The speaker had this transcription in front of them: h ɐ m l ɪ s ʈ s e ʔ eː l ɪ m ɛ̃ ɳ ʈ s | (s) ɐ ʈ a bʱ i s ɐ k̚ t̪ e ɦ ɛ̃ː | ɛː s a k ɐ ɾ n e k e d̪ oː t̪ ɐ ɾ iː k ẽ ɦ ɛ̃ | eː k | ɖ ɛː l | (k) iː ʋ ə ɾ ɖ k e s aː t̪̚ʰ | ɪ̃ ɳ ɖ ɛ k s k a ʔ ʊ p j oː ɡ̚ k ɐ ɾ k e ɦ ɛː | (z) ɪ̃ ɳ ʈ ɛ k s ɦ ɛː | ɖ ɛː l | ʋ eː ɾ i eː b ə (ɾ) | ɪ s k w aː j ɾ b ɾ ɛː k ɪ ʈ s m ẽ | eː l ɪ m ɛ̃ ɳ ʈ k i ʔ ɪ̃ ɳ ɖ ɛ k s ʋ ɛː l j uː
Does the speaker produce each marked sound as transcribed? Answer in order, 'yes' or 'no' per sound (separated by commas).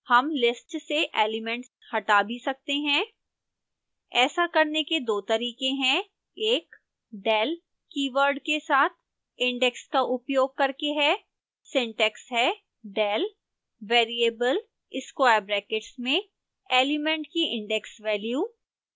no, yes, no, no